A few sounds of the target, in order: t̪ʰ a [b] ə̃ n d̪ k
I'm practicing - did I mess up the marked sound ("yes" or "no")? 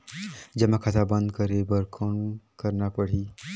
no